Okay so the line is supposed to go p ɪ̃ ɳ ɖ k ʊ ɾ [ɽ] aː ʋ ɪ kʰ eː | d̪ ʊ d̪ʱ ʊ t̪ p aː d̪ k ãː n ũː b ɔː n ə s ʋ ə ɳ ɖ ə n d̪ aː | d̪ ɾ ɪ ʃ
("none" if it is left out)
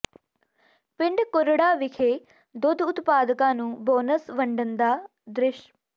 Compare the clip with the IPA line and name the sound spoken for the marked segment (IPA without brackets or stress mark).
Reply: ɽ